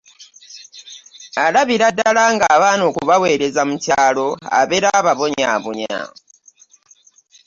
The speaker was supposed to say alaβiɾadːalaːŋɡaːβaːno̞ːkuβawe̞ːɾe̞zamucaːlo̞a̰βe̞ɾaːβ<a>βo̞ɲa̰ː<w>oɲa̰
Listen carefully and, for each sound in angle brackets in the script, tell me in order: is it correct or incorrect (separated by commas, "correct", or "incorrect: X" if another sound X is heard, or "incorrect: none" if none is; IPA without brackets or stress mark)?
correct, incorrect: β